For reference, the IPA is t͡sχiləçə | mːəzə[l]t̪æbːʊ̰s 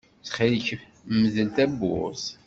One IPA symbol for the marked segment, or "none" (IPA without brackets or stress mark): l